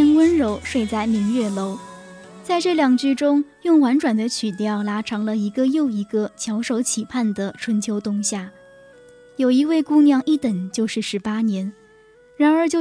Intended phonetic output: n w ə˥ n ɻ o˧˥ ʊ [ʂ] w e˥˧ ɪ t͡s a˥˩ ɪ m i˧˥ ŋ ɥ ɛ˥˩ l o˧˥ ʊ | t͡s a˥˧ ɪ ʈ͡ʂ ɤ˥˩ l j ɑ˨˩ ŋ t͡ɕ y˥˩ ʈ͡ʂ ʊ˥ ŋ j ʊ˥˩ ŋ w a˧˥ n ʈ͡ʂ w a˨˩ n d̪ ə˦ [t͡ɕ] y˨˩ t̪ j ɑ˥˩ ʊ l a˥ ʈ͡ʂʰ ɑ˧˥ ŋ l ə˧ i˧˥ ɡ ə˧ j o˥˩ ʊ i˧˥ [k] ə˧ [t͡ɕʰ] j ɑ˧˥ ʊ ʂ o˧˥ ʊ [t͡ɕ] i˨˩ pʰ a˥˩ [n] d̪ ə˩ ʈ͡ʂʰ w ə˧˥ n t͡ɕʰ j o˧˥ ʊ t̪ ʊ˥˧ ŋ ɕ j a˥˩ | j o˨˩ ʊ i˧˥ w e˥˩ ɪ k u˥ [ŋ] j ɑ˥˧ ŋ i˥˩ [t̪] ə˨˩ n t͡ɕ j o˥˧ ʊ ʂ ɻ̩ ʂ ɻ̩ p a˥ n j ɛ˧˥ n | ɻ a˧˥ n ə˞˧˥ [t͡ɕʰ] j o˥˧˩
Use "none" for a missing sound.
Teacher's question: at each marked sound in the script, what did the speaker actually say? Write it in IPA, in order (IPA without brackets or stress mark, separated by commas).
ʂ, t͡ɕʰ, ɡ, t͡ɕʰ, t͡ɕʰ, n, n, t̪, t͡ɕ